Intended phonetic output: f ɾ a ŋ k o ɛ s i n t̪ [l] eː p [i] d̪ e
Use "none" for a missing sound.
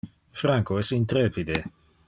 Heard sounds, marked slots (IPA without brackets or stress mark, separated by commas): ɾ, i